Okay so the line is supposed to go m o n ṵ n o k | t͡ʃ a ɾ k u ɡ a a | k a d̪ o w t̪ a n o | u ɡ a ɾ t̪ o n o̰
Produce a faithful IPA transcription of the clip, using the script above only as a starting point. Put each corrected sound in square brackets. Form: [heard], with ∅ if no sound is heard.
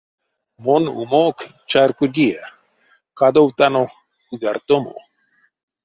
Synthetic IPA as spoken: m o n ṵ [m] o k | t͡ʃ a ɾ k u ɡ [i] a | k a d̪ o w t̪ a n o | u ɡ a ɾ t̪ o [m] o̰